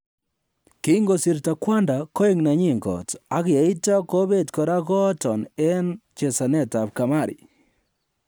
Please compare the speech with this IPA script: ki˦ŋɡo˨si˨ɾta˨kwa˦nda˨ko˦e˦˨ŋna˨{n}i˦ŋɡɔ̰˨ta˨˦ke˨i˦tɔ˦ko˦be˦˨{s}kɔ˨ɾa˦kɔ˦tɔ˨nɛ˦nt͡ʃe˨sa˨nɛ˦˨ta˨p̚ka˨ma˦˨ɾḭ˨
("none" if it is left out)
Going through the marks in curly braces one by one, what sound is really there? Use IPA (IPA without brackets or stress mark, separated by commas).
ɲ, t